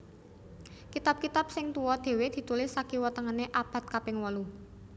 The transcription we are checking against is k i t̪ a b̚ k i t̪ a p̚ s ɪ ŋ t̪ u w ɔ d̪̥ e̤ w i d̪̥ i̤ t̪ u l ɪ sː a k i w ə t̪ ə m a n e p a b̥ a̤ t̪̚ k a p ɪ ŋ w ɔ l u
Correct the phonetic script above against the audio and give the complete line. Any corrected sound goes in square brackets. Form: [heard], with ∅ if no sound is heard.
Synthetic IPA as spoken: k i t̪ a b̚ k i t̪ a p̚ s ɪ ŋ t̪ u w ɔ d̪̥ e̤ w [e] d̪̥ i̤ t̪ u l ɪ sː a k i w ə t̪ ə [ŋ] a n e [ʔ] a b̥ a̤ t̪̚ k a p ɪ ŋ w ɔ l u